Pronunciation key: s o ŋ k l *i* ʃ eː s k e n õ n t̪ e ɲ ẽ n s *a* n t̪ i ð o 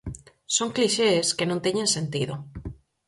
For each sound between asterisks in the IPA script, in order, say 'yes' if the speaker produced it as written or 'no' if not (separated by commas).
yes, no